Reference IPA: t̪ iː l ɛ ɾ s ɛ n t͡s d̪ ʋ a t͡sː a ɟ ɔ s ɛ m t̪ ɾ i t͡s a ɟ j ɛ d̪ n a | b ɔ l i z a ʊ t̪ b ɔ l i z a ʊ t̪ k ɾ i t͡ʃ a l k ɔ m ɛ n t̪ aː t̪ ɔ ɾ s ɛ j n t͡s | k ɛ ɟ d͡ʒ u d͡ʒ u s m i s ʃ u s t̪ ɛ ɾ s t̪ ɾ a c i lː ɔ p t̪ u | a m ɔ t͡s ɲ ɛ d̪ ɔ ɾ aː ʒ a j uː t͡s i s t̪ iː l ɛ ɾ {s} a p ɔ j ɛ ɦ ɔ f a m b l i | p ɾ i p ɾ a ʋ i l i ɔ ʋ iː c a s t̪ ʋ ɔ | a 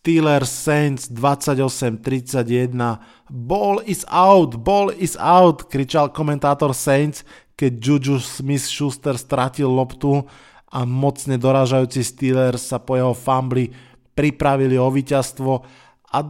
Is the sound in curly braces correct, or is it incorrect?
correct